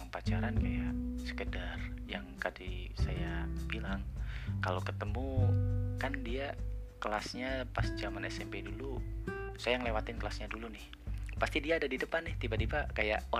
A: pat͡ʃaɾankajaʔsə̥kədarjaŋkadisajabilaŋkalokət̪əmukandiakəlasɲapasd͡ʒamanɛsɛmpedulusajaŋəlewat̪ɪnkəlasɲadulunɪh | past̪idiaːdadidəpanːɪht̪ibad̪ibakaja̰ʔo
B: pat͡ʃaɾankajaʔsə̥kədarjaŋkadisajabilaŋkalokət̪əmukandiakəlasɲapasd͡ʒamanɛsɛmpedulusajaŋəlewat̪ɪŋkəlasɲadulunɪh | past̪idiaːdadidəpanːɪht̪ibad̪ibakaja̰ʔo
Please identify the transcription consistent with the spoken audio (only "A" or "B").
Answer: A